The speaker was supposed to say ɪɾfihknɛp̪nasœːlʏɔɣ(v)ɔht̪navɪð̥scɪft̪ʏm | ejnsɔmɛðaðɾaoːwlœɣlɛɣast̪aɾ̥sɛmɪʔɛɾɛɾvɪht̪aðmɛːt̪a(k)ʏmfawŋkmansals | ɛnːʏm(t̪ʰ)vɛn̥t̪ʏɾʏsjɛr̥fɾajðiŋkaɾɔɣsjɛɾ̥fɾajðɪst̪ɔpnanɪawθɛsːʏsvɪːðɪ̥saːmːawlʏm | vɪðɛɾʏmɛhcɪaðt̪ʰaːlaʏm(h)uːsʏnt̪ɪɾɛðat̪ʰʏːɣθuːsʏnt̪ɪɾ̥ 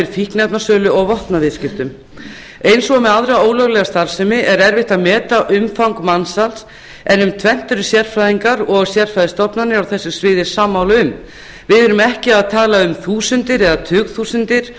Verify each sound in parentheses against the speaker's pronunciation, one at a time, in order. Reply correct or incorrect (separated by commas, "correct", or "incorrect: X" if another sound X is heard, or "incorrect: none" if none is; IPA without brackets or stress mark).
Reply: correct, incorrect: ʔ, correct, incorrect: θ